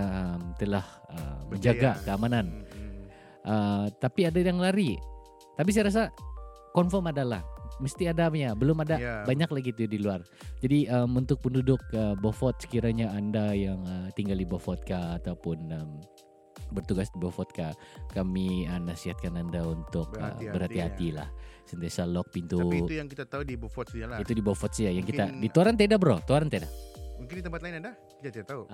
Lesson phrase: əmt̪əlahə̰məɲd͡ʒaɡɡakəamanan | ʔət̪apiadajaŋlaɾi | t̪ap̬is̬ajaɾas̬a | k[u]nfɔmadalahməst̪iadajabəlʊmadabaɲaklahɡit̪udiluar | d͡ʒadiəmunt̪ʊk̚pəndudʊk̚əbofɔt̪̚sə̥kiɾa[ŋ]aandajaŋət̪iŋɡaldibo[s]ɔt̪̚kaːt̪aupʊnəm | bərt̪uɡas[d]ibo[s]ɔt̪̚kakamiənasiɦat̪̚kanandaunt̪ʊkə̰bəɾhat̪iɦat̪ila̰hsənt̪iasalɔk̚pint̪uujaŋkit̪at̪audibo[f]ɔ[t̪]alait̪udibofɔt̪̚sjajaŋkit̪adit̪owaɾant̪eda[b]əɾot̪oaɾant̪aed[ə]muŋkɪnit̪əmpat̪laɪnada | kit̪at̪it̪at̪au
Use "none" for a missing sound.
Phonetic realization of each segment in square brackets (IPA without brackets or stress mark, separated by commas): ɔ, ɲ, f, d, f, f, t̪, b, a